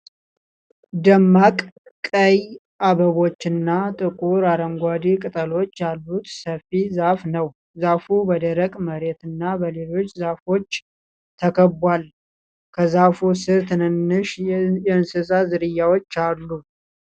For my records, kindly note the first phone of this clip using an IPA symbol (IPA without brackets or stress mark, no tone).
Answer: d̪